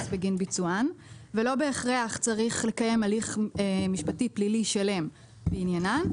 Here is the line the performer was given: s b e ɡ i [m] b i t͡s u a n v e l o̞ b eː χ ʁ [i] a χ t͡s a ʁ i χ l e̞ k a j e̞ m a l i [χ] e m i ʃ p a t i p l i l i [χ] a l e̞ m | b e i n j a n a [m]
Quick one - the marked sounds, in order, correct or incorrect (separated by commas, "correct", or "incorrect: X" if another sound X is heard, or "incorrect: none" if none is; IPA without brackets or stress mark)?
incorrect: n, incorrect: e, correct, incorrect: ʃ, incorrect: n